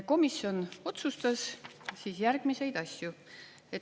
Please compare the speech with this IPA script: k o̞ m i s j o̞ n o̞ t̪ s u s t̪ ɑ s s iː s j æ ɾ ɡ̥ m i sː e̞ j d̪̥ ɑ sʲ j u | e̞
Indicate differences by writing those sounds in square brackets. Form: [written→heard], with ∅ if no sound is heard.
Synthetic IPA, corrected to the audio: k o̞ m i s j o̞ n o̞ t̪ s u s t̪ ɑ s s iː s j æ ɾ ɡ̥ m i [sː→s] e̞ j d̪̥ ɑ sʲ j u | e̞

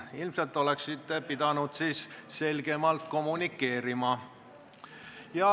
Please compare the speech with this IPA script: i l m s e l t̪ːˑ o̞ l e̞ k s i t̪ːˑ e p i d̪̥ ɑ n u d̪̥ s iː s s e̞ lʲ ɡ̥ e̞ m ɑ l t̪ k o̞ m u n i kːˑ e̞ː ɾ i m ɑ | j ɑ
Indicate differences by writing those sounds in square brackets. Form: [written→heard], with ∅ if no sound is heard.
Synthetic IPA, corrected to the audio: i l m s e l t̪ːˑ o̞ l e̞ k s i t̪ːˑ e p i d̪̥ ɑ n u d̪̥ s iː s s e̞ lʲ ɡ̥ e̞ m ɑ l t̪ k o̞ m u n i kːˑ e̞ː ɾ i m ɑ | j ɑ

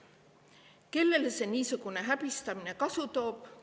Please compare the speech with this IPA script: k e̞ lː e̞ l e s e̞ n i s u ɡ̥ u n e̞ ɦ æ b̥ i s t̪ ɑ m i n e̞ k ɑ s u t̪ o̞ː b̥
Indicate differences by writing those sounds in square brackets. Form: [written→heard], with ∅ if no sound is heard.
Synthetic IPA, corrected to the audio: k e̞ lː e̞ l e s e̞ n [i→iː] s u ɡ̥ u n e̞ ɦ æ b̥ i s t̪ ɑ m i n e̞ k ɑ s u t̪ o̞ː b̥

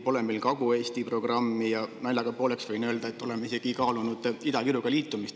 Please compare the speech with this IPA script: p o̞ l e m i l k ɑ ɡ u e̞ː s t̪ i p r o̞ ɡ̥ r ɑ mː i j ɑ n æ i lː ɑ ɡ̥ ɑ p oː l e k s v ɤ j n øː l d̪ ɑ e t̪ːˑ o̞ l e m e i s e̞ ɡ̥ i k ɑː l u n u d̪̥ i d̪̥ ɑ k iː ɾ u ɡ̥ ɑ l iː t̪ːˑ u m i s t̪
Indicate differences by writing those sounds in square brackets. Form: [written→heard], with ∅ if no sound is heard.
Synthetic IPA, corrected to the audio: p o̞ l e m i l k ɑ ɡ u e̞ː s t̪ i p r o̞ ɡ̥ r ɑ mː i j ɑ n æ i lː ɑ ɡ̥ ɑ p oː l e k s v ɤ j n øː l d̪ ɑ e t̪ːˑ o̞ l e m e i s e̞ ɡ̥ i k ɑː l u n u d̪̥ i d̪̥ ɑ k [iː→i] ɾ u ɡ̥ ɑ l iː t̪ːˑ u m i s t̪

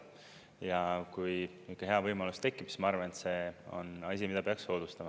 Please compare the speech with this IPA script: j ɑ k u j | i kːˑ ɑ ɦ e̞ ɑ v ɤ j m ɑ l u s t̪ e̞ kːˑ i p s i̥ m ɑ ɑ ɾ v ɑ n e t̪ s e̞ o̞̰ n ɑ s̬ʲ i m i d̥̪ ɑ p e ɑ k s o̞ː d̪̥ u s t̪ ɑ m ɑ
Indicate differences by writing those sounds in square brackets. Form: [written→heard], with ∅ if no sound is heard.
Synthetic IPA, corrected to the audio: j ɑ k u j | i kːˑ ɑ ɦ e̞ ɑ v ɤ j m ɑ l u s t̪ e̞ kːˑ i p s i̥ m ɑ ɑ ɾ v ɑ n e t̪ s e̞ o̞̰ n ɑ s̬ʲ i m i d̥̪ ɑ p e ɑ k s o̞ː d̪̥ u s t̪ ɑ m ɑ

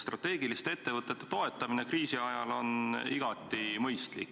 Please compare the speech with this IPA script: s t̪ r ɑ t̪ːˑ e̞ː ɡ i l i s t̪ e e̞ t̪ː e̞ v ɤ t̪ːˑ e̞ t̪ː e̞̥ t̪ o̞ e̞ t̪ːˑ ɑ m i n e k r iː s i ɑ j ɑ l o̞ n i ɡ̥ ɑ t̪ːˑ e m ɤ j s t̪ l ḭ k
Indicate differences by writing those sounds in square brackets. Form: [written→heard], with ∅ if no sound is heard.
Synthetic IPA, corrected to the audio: s t̪ r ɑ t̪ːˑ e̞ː ɡ i l i s t̪ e e̞ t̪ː e̞ v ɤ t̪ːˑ e̞ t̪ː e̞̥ t̪ o̞ e̞ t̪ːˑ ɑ m i n e k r iː s i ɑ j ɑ l o̞ n i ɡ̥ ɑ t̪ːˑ [e→i] m ɤ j s t̪ l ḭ k

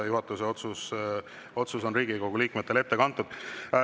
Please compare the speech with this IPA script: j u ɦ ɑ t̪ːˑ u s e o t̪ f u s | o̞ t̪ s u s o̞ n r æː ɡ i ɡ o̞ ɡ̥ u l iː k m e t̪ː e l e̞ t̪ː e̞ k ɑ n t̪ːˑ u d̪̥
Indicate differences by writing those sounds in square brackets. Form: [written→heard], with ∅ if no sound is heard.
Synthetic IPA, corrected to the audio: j u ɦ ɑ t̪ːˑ u s e o t̪ [f→s] u s | o̞ t̪ s u s o̞ n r [æː→iː] ɡ i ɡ o̞ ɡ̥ u l iː k m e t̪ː e l e̞ t̪ː e̞ k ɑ n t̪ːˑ u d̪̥

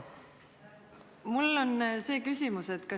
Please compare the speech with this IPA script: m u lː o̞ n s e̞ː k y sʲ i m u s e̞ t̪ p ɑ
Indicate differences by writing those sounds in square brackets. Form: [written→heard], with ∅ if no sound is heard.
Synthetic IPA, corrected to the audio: m u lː o̞ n s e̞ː k y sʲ i m u s e̞ t̪ [p→k] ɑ

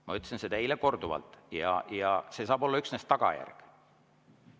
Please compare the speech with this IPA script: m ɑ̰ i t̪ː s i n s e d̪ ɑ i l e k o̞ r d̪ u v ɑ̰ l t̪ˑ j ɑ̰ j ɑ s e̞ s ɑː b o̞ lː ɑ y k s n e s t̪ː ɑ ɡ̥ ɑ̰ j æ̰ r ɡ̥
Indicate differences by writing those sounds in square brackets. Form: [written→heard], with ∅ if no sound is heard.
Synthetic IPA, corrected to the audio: m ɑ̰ [i→y] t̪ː s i n s e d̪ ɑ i l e k o̞ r d̪ u v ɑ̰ l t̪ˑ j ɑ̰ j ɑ s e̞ s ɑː b o̞ lː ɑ y k s n e s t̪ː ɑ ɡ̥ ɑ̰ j æ̰ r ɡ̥

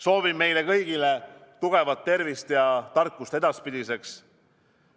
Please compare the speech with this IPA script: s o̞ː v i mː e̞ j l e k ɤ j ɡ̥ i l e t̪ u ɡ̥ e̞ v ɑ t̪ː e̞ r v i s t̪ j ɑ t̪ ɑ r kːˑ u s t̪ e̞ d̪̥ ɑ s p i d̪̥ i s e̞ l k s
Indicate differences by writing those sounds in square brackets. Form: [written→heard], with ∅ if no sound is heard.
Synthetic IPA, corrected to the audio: s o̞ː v i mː e̞ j l e k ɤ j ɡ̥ i l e t̪ u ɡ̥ e̞ v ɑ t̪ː e̞ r v i s t̪ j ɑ t̪ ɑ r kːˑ u s t̪ e̞ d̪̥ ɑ s p i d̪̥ i s e̞ [l→∅] k s

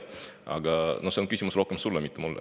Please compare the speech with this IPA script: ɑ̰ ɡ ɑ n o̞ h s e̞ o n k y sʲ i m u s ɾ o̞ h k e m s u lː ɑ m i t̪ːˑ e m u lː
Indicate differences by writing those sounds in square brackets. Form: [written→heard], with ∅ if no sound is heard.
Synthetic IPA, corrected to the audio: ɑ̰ ɡ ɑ n o̞ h s e̞ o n k y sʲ i m u s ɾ o̞ h k e m s u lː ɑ m i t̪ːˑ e m u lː

